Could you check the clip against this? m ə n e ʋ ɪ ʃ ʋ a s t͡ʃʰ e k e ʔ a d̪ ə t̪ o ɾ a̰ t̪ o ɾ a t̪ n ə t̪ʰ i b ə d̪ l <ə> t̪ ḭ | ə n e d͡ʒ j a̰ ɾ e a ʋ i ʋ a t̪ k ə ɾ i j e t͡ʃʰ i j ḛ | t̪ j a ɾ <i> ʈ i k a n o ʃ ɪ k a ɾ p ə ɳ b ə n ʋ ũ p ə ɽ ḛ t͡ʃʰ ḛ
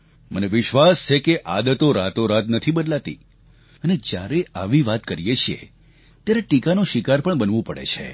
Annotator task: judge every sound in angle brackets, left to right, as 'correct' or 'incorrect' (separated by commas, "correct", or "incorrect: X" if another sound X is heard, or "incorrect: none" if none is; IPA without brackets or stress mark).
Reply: incorrect: a, incorrect: e